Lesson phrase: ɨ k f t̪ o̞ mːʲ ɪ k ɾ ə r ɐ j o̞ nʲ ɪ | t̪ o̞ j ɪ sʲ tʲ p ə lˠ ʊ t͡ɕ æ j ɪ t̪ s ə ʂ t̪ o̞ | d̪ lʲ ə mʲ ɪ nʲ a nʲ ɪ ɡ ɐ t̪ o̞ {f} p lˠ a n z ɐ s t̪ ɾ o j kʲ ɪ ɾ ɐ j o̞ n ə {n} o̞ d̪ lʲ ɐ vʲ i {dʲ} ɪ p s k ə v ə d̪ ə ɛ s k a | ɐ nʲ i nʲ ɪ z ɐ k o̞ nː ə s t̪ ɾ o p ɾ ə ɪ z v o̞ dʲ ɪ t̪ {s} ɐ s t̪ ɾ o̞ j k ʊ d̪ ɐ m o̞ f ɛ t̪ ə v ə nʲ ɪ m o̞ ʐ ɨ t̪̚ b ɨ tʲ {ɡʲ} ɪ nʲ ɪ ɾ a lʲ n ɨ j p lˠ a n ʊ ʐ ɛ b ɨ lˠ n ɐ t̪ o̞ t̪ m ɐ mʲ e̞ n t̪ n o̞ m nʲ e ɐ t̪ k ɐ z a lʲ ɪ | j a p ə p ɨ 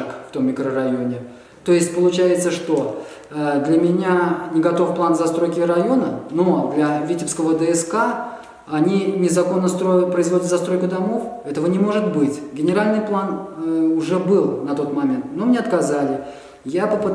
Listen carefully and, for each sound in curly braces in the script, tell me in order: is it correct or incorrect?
correct, correct, incorrect: tʲ, incorrect: z, correct

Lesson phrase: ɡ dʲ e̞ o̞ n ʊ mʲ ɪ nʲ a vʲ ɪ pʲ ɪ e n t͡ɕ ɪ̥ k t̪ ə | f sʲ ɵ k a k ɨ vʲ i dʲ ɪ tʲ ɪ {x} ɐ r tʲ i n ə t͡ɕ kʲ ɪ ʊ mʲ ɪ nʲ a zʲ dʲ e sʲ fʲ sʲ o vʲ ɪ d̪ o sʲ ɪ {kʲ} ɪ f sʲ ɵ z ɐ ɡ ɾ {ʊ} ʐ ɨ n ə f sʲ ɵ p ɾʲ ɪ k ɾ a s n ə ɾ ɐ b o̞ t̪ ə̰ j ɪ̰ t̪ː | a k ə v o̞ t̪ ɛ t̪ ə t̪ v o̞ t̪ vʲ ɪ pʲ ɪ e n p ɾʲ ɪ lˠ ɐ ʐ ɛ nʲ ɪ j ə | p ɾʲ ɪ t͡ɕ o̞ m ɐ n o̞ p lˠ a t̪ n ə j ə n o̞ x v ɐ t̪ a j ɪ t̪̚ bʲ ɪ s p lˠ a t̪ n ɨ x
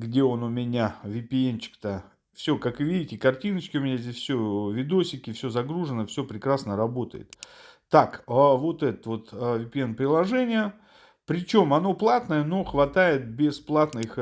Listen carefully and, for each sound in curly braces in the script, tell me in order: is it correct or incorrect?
incorrect: k, correct, incorrect: u

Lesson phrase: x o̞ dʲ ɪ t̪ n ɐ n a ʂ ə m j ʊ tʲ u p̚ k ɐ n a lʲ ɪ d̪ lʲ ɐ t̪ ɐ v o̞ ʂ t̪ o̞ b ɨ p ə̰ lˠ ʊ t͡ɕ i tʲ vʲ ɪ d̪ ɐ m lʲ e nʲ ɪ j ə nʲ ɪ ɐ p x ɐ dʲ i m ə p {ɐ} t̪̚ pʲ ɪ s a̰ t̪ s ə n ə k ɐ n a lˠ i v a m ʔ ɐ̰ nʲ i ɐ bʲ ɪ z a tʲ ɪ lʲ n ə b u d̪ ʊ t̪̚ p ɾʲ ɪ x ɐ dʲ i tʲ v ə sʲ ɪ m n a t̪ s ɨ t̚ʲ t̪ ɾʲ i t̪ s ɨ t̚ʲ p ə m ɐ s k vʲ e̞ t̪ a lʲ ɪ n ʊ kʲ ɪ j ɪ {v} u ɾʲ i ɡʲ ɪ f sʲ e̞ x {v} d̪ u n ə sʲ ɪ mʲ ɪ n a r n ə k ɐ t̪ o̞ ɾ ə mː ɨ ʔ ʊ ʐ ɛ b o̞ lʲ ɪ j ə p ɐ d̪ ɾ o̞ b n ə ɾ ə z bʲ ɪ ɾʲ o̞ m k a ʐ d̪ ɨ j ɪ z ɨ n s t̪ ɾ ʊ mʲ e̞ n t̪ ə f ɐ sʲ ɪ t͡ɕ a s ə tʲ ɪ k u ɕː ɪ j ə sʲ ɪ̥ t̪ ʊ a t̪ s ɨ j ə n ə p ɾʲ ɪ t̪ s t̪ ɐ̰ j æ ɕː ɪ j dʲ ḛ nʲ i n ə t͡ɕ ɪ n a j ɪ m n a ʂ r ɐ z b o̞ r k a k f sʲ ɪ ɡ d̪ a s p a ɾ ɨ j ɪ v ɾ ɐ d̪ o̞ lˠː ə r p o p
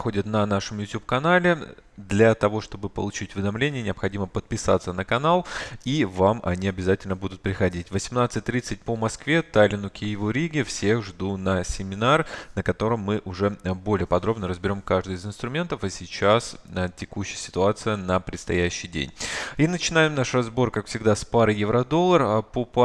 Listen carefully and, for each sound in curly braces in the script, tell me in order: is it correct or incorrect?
incorrect: ə, correct, incorrect: ʐ

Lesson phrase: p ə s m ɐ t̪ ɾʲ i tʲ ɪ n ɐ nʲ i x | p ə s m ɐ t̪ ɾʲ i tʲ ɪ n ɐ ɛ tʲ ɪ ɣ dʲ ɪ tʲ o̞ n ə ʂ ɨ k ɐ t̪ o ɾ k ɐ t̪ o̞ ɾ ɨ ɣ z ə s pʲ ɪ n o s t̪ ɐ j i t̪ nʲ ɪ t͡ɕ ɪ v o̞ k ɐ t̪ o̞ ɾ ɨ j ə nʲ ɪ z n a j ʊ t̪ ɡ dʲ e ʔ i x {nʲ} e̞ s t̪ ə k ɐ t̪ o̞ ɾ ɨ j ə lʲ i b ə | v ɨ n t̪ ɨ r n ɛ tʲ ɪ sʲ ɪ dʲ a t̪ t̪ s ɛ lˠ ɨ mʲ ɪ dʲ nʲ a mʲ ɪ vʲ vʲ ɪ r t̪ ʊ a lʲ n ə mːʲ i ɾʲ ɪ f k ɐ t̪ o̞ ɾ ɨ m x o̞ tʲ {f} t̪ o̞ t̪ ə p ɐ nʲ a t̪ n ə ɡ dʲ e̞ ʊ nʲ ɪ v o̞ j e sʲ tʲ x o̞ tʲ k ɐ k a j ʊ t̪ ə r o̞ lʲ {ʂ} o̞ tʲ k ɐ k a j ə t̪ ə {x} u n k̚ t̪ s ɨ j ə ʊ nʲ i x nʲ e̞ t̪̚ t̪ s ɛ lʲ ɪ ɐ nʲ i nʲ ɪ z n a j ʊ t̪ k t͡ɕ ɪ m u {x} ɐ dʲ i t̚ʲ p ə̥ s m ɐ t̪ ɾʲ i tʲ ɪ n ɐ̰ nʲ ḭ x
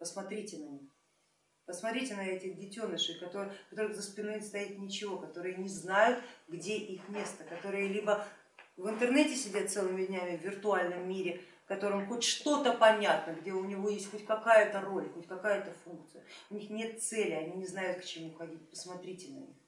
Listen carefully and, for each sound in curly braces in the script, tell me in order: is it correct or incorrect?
incorrect: mʲ, incorrect: ʂ, incorrect: x, incorrect: f, correct

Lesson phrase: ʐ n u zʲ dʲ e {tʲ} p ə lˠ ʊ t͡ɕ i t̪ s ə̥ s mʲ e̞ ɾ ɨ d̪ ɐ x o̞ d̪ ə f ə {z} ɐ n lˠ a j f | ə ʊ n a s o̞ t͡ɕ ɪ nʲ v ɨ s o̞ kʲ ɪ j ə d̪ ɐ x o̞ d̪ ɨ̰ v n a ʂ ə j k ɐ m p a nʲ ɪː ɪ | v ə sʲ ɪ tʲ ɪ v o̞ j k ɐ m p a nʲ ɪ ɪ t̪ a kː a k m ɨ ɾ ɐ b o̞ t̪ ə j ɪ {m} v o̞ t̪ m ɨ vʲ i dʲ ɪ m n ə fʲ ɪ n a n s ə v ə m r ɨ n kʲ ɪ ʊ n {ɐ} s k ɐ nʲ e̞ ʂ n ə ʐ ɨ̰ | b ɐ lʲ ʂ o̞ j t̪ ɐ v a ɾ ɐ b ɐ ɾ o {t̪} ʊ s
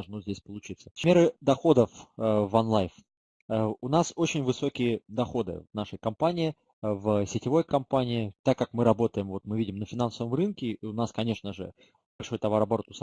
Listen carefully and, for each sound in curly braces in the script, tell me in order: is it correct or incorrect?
incorrect: sʲ, incorrect: v, correct, incorrect: a, correct

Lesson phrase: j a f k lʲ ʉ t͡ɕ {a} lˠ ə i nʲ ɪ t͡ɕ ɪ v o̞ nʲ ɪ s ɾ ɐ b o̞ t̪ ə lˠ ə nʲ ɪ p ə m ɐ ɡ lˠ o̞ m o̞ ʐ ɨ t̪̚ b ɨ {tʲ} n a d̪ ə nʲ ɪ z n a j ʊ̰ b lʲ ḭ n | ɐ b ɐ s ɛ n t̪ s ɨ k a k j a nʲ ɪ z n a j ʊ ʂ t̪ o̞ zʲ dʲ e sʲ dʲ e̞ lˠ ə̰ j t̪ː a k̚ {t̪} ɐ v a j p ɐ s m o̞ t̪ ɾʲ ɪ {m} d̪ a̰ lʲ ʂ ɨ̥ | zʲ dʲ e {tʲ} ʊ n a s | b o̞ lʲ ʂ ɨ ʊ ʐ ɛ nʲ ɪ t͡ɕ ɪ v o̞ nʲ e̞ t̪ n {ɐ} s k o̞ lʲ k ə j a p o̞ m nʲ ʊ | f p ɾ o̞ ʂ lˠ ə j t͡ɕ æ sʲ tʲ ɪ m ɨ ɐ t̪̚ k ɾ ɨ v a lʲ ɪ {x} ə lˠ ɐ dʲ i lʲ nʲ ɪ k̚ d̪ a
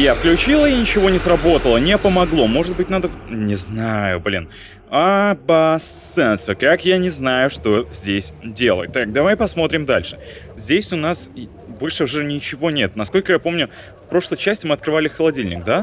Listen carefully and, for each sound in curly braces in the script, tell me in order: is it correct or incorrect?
incorrect: i, correct, incorrect: d̪, correct, incorrect: sʲ, correct, correct

